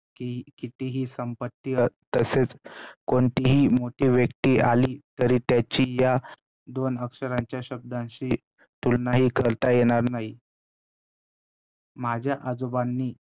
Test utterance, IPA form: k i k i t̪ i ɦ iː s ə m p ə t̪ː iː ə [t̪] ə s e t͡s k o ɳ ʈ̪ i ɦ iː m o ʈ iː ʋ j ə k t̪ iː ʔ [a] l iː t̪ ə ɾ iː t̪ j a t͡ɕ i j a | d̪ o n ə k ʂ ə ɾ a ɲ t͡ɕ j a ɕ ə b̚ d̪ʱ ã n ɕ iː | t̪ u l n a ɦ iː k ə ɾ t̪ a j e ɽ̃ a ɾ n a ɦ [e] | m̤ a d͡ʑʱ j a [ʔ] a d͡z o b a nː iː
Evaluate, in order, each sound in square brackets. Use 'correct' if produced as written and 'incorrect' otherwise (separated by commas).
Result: correct, correct, incorrect, correct